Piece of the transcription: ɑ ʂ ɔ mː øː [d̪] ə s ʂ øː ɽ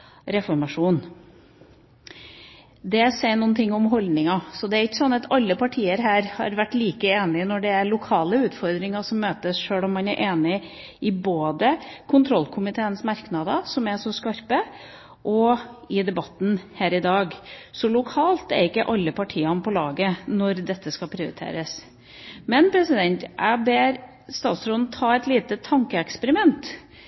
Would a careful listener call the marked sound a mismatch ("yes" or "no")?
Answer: yes